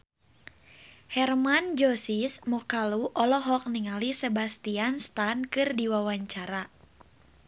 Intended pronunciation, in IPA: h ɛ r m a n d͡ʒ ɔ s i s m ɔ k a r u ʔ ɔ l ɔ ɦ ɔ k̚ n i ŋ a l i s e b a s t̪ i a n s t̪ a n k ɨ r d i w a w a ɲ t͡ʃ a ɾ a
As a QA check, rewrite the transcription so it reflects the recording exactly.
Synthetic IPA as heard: h ɛ r m a n d͡ʒ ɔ s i s m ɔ k a l u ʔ ɔ l ɔ ɦ ɔ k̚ n i ŋ a l i s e b a s t̪ i a n s t̪ a n k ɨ r d i w a w a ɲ t͡ʃ a ɾ a